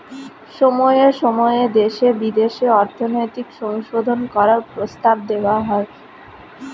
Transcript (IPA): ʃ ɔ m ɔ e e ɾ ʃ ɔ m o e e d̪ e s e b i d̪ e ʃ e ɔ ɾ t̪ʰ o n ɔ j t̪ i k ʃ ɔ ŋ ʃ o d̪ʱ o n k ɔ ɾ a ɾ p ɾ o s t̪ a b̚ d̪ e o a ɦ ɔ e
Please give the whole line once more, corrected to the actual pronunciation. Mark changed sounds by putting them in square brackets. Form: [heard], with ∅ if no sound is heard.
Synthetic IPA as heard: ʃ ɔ m ɔ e e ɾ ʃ ɔ m [ɔ] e e d̪ e [ʃ] e b i d̪ e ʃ e ɔ ɾ t̪ʰ o n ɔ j t̪ i k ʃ ɔ ŋ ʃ o d̪ʱ o n k ɔ ɾ a ɾ p ɾ o s t̪ a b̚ d̪ e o a ɦ ɔ e